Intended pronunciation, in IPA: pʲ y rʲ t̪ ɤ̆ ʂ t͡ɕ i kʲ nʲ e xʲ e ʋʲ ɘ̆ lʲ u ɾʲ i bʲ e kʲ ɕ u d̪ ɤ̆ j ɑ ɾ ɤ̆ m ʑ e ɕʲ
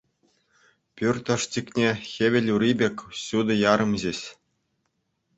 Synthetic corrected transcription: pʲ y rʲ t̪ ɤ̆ ʂ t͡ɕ i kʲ nʲ e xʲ e ʋʲ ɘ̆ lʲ u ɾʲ i bʲ e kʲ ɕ u d̪ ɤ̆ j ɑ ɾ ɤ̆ m ʑ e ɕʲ